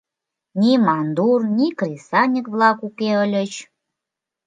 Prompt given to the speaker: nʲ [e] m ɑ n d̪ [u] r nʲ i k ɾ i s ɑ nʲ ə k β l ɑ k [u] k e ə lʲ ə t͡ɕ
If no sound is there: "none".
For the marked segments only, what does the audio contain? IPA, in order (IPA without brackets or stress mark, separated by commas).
i, u, u